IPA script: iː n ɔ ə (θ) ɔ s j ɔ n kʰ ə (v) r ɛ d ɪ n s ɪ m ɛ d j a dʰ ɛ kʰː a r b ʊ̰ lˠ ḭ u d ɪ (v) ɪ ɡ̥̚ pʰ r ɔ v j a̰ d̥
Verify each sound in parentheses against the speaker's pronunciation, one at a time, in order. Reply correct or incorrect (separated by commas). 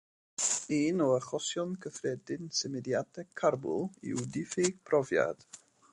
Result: incorrect, incorrect, incorrect